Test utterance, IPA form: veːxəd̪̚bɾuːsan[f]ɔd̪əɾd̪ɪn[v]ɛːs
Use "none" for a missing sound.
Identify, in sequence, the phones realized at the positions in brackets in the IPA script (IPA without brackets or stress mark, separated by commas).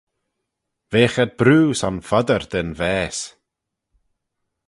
f, v